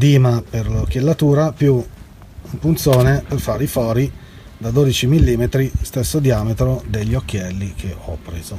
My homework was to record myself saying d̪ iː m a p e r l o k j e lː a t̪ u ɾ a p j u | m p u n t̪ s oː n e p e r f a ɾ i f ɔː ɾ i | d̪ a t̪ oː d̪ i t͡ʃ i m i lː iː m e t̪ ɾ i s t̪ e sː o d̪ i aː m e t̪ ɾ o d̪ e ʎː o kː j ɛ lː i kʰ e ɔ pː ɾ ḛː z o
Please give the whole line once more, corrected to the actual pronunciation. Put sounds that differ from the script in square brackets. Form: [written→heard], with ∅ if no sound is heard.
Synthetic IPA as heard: d̪ iː m a p e r l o k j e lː a t̪ [u→uː] ɾ a p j u | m p u n t̪ s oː n e p e r f a ɾ i f ɔː ɾ i | d̪ a [t̪→d̪] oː d̪ i t͡ʃ i m i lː iː m e t̪ ɾ i s t̪ e sː o d̪ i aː m e t̪ ɾ o d̪ e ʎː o kː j ɛ lː i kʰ e ɔ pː ɾ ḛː z o